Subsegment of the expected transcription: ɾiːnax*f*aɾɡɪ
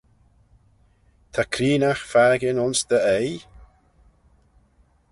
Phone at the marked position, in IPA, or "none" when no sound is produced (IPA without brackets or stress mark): f